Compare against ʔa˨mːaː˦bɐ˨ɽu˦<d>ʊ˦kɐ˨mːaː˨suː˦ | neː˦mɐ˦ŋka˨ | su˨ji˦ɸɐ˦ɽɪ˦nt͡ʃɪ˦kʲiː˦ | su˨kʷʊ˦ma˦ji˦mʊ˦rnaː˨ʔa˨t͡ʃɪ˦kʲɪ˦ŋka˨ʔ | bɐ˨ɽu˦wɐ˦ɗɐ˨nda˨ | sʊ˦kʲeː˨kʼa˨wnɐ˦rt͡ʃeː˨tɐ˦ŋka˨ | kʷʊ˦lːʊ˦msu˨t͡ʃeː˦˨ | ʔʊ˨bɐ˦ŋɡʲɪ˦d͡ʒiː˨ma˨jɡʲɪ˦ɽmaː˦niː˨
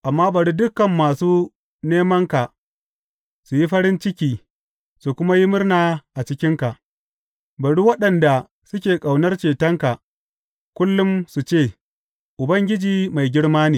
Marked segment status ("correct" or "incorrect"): correct